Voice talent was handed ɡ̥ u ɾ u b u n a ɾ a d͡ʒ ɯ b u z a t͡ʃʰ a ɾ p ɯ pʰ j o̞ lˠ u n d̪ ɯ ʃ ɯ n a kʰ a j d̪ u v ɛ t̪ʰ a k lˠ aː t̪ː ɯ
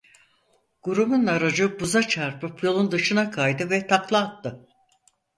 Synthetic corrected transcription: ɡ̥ u ɾ u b u n a ɾ a d͡ʒ ɯ b u z a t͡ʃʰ a ɾ p ɯ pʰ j o̞ lˠ u n d̪ ɯ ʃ ɯ n a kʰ a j d̪ ɯ v ɛ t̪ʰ a k lˠ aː t̪ː ɯ